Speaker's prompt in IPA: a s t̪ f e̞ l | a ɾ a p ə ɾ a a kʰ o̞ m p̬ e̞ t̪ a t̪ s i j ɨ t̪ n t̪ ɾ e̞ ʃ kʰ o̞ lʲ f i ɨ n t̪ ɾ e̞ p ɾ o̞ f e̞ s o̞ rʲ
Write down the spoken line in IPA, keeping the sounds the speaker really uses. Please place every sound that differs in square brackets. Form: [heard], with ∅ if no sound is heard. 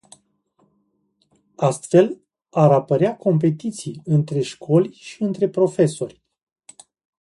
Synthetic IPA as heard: a s t̪ f e̞ l | a ɾ a p ə ɾ [e] a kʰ o̞ m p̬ e̞ t̪ [i] t̪ s i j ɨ [∅] n t̪ ɾ e̞ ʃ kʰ o̞ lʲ [ʃ] i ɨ n t̪ ɾ e̞ p ɾ o̞ f e̞ s o̞ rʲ

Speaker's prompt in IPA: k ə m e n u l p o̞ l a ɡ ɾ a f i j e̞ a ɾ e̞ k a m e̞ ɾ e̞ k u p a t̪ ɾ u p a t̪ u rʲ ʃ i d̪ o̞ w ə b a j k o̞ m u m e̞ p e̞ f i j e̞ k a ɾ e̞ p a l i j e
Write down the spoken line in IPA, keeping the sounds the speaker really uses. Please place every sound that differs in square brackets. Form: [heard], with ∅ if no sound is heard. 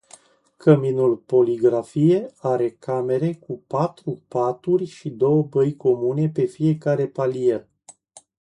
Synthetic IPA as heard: k ə m [i] n u l p o̞ l [i] ɡ ɾ a f i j e̞ a ɾ e̞ k a m e̞ ɾ e̞ k u p a t̪ ɾ u p a t̪ u rʲ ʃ i d̪ o̞ w ə b [ə] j k o̞ m u [n] e̞ p e̞ f i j e̞ k a ɾ e̞ p a l i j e

